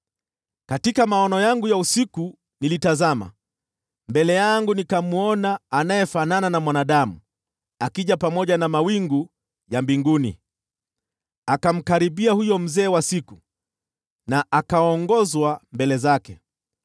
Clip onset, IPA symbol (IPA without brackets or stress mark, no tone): k